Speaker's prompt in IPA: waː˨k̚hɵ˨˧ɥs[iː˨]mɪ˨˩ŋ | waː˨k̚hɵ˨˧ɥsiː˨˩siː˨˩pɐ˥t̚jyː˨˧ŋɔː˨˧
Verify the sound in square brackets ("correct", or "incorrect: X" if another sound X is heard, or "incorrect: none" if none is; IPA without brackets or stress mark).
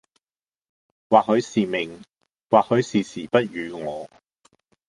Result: correct